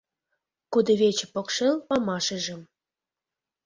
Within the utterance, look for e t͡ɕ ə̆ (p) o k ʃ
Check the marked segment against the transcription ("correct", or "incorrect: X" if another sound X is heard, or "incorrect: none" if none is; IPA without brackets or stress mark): correct